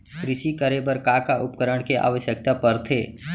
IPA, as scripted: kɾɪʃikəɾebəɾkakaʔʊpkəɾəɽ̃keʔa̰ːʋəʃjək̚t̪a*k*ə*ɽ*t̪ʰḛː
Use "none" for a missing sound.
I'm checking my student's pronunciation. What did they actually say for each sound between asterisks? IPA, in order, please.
p, ɾ

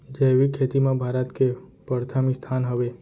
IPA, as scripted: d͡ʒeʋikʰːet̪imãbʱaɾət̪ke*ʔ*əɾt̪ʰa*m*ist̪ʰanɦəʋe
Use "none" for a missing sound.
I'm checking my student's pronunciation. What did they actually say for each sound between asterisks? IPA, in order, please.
p, m

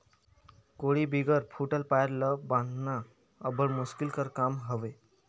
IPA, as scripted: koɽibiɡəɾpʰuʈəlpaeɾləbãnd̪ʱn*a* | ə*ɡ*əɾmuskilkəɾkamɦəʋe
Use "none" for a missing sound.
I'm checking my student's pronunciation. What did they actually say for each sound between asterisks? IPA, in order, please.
a, b

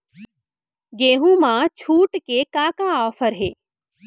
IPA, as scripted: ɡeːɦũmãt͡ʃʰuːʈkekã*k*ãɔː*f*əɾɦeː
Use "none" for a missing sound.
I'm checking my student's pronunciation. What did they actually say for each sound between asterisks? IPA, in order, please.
k, f

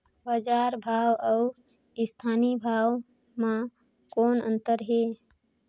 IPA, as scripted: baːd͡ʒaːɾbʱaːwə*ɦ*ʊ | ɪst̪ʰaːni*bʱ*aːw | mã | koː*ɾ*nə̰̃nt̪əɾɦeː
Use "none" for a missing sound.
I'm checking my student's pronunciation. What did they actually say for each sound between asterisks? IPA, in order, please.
none, bʱ, none

